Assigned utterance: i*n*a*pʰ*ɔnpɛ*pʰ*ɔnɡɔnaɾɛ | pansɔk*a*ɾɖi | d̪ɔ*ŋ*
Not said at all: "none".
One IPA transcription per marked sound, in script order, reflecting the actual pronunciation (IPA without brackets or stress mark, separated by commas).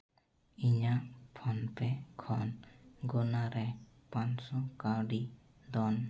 ɲ, pʰ, kʰ, a, n